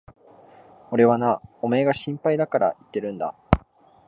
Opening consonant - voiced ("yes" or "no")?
yes